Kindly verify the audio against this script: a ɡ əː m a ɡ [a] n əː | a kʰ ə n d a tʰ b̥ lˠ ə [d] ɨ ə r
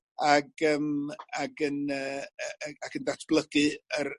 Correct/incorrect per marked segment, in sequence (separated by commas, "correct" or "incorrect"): incorrect, incorrect